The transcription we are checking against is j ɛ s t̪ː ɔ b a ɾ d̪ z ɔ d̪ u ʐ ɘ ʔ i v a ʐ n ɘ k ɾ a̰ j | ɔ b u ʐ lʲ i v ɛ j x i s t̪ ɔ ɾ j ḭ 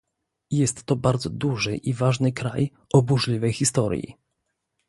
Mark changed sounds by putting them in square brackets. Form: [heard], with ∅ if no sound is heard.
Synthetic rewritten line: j ɛ s t̪ː ɔ b a ɾ d̪ z ɔ d̪ u ʐ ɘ ʔ i v a ʐ n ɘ k ɾ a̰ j | ɔ b u ʐ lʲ i v ɛ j x i s t̪ ɔ ɾ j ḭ